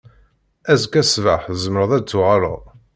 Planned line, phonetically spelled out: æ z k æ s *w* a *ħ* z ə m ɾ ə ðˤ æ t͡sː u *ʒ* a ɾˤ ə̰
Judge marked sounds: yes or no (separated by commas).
no, yes, no